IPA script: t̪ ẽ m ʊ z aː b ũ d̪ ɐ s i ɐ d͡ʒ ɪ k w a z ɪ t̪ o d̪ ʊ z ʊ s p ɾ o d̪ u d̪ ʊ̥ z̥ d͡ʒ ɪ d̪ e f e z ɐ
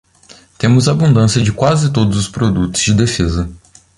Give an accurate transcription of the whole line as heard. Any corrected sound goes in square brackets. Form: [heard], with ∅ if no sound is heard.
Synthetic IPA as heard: t̪ ẽ m ʊ z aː b ũ d̪ [ɐ̃] s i ɐ d͡ʒ ɪ k w a z ɪ t̪ o d̪ ʊ z ʊ s p ɾ o d̪ u [t̪] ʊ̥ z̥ d͡ʒ ɪ d̪ e f e z ɐ

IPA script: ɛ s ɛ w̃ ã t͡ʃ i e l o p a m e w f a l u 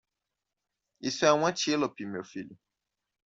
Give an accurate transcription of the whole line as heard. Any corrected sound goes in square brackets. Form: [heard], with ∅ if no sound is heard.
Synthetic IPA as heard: [i] s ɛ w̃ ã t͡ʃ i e l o p [i] m e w f [i] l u

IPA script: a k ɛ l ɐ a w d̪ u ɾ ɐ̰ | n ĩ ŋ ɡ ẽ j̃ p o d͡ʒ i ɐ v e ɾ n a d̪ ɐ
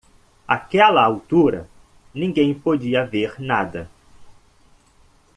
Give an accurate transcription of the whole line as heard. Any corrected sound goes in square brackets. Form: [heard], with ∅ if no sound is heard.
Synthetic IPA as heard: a k ɛ l ɐ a w [t̪] u ɾ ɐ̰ | n ĩ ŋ ɡ ẽ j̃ p o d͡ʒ i ɐ v e ɾ n a d̪ ɐ

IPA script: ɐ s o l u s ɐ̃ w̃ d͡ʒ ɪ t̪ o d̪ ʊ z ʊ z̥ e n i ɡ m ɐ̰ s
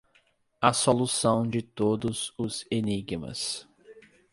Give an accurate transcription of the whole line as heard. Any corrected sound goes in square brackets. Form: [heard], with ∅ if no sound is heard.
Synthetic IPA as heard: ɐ s o l u s ɐ̃ w̃ d͡ʒ ɪ t̪ o d̪ ʊ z ʊ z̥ e n i ɡ m ɐ̰ s

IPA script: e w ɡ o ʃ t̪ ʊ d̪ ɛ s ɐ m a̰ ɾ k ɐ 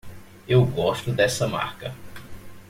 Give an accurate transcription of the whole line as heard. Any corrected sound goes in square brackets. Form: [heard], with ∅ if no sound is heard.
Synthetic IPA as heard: e w ɡ [ɔ] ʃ t̪ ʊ d̪ ɛ s ɐ m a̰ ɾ k ɐ

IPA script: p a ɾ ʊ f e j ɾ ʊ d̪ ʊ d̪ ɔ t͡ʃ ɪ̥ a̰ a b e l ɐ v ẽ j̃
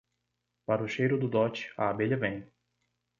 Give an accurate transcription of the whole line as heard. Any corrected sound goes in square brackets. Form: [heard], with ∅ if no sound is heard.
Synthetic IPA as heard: p a ɾ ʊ [ʃ] e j ɾ ʊ d̪ ʊ d̪ ɔ t͡ʃ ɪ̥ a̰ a b e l ɐ v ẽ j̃

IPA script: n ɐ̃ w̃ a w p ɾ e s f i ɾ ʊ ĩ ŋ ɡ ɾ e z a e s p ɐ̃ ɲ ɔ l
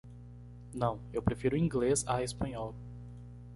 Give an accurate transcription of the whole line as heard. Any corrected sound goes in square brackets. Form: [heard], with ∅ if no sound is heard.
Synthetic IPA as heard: n ɐ̃ w̃ [e] w p ɾ e [∅] f i ɾ ʊ ĩ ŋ ɡ [l] e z a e s p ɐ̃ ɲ ɔ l

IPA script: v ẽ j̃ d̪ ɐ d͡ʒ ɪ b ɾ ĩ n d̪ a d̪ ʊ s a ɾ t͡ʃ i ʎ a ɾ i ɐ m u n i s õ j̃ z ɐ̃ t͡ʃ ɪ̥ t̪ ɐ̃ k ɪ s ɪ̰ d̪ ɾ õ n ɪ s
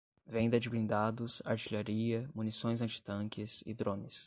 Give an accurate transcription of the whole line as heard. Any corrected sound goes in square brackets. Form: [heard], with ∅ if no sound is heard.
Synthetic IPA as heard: v ẽ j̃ d̪ ɐ d͡ʒ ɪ b ɾ ĩ n d̪ a d̪ ʊ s a ɾ t͡ʃ i ʎ a ɾ i ɐ m u n i s õ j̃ z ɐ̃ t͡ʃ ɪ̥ t̪ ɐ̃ k ɪ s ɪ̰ d̪ ɾ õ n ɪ s

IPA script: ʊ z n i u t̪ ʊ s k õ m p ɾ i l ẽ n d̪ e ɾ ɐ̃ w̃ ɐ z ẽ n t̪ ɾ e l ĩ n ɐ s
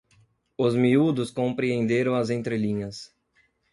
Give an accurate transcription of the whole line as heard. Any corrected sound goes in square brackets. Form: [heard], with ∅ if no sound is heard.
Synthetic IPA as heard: ʊ z [m] i u [d̪] ʊ s k õ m p ɾ i [∅] ẽ n d̪ e ɾ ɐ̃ w̃ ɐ z ẽ n t̪ ɾ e l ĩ [ɲ] ɐ s

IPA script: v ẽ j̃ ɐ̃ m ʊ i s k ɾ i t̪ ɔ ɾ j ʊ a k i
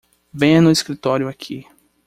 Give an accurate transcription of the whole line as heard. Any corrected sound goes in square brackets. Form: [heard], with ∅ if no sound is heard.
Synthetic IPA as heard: v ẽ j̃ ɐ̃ [n] ʊ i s k ɾ i t̪ ɔ ɾ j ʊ a [kʰ] i

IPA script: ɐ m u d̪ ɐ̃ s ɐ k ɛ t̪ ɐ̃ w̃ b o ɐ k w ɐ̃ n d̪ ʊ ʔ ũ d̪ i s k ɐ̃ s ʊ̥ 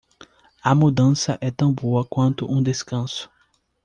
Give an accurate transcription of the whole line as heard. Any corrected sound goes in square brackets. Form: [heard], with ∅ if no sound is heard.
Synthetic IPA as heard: ɐ m u d̪ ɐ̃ s ɐ [ʔ] ɛ t̪ ɐ̃ w̃ b o ɐ k w ɐ̃ n [t̪] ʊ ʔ ũ d̪ [e] s k ɐ̃ s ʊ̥

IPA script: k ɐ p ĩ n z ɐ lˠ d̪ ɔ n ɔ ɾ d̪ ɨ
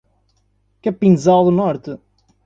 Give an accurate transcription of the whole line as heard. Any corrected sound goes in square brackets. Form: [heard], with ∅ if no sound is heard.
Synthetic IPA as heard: k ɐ p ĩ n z [a] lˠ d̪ [u] n ɔ ɾ [t̪] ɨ

